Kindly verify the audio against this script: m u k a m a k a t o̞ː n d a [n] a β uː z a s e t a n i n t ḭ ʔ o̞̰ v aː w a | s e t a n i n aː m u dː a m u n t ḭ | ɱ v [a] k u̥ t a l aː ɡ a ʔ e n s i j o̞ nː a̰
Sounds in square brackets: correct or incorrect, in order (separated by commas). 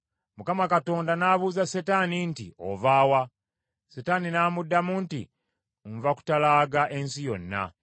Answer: correct, correct